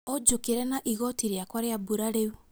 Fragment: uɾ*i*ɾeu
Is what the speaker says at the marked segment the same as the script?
no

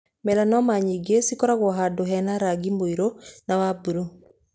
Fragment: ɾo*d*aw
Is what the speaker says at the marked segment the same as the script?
no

